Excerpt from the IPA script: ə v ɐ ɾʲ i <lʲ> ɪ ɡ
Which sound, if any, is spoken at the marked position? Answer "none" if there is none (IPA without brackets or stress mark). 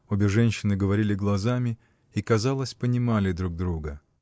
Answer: lʲ